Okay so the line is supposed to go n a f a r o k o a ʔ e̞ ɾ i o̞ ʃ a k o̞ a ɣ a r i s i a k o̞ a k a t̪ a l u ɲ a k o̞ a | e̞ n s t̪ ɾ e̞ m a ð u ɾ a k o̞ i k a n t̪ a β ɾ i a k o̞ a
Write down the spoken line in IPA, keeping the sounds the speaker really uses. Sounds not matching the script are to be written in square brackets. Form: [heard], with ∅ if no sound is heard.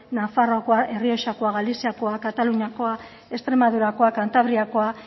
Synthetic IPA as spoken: n a f a r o k o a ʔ e̞ [r] i o̞ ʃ a k o̞ a ɣ a [l] i s i a k o̞ a k a t̪ a l u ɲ a k o̞ a | e̞ [∅] s t̪ ɾ e̞ m a ð u ɾ a k o̞ [a] k a n t̪ a β ɾ i a k o̞ a